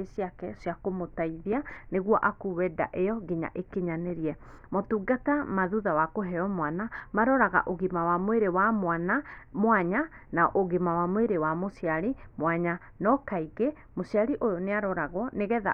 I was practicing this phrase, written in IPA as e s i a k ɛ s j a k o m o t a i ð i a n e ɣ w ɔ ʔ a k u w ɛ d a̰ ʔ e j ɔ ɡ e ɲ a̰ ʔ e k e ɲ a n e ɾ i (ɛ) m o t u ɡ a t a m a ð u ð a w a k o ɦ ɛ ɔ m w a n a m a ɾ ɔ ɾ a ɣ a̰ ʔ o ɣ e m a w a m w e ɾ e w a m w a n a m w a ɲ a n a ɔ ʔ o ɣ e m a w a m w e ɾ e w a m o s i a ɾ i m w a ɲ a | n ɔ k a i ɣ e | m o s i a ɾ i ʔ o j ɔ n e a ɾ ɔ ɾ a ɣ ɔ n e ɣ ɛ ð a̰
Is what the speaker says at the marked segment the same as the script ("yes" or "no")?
yes